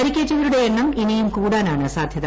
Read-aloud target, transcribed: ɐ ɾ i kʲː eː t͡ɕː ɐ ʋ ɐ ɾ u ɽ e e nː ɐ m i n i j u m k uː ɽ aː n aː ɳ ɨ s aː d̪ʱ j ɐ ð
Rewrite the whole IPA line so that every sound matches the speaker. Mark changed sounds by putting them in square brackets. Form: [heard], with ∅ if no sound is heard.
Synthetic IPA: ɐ ɾ i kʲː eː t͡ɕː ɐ ʋ ɐ ɾ u ɽ e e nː ɐ m i n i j u m k uː ɽ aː n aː ɳ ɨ s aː d̪ʱ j ɐ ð